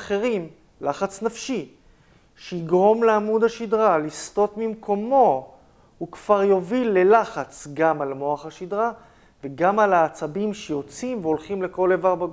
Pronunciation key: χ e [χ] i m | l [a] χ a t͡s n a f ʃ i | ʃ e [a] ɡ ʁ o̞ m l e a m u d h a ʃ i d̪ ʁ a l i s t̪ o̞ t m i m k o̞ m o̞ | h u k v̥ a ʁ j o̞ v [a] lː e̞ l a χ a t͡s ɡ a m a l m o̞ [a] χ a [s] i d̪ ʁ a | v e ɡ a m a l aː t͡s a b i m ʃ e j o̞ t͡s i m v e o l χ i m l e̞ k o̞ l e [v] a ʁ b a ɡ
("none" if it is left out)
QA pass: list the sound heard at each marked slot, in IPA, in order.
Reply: ʁ, a, i, i, a, ʃ, v

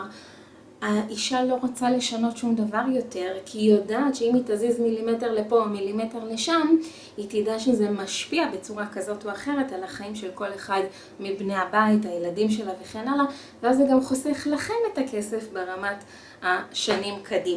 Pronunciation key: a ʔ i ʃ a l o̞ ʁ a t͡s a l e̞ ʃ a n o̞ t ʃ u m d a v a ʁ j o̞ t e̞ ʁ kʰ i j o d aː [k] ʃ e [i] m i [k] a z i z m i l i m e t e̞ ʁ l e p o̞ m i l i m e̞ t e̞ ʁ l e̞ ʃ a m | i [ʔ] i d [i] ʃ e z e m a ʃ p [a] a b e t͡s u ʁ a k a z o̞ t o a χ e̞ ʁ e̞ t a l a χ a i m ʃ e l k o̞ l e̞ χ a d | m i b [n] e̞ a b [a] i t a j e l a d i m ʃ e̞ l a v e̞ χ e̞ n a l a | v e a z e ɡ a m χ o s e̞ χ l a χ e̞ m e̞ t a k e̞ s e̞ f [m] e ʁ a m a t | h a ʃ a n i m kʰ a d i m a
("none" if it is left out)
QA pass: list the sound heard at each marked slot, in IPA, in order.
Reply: t, i, t, t, a, i, n, a, b

